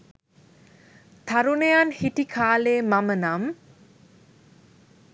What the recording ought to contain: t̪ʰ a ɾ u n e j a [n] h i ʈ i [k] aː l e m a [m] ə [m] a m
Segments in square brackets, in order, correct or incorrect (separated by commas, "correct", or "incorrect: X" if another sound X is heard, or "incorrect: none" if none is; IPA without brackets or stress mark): correct, incorrect: kʰ, correct, incorrect: n